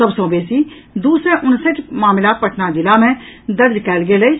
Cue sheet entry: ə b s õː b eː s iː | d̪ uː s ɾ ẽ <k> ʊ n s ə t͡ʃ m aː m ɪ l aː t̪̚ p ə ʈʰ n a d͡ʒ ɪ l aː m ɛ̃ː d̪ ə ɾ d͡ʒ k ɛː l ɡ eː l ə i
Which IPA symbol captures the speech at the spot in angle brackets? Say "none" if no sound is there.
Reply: ʔ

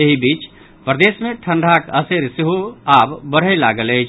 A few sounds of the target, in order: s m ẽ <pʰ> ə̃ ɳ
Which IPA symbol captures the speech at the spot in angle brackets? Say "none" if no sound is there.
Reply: ʈʰ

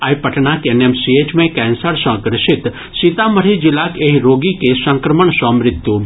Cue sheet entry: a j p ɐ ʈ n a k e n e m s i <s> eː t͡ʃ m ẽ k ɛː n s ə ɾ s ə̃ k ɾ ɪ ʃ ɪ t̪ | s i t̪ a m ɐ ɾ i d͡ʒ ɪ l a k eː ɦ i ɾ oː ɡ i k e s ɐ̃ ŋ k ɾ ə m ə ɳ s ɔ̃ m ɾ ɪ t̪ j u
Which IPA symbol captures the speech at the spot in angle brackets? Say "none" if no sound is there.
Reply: none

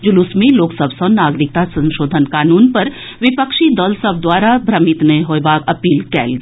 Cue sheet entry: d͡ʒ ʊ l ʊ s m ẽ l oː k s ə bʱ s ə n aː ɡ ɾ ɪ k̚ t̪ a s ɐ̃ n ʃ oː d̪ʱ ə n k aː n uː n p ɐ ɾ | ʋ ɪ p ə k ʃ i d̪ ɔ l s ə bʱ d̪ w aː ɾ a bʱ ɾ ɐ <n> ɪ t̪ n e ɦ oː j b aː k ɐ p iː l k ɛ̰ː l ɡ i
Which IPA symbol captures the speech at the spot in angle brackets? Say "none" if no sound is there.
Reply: m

